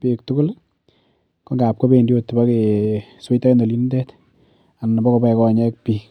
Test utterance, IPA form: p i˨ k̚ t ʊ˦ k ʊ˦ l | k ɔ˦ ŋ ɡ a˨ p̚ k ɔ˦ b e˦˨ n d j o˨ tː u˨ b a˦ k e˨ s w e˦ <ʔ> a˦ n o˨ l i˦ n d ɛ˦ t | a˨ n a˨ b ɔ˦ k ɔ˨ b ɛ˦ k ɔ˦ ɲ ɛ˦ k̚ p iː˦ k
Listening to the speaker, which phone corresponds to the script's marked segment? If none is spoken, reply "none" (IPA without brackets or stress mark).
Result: t